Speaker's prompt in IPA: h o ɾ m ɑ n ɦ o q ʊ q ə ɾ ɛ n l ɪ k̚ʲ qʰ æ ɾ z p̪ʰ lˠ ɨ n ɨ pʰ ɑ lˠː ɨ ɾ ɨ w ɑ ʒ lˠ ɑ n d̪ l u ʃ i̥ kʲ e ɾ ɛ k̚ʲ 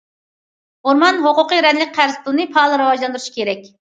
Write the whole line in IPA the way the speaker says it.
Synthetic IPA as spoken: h o ɾ m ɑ n ɦ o q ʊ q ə ɾ ɛ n l ɪ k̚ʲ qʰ æ ɾ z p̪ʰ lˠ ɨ n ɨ pʰ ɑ lˠ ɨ ɾ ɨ w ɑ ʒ lˠ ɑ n d̪ ɾ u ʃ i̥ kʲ e ɾ ɛ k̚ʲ